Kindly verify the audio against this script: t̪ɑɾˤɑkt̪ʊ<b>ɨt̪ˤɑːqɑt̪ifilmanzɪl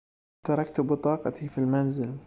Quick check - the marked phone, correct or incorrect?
correct